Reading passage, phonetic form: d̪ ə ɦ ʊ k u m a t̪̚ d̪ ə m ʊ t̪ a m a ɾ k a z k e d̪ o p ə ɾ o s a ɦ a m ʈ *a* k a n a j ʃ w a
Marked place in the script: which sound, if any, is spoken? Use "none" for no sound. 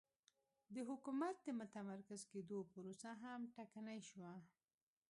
a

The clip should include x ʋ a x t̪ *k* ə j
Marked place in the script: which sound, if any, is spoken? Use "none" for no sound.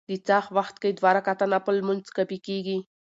k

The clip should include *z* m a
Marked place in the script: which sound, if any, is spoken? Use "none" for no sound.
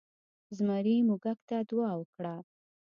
z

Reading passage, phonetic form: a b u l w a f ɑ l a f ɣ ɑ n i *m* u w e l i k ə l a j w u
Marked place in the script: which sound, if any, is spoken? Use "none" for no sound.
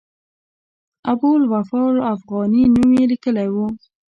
n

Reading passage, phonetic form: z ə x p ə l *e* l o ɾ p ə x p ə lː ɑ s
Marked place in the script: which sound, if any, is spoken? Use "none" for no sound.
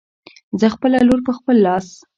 a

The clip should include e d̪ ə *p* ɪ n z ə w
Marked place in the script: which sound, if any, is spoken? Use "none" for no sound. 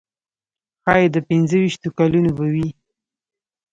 p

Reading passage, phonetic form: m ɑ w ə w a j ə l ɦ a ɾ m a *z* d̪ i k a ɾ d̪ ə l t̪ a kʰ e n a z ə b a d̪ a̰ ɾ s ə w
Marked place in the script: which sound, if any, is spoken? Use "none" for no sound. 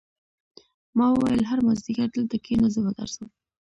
z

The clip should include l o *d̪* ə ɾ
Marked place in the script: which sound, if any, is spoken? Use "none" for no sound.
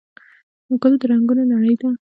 d̪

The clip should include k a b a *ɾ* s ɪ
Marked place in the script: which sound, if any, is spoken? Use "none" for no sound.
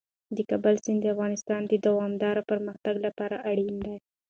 l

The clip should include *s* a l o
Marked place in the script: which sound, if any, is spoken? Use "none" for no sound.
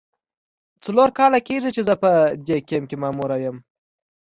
t͡s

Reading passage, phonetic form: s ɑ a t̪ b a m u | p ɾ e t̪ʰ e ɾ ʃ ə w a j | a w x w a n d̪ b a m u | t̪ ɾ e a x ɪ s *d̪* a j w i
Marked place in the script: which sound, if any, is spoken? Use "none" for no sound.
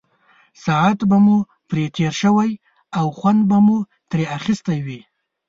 t̪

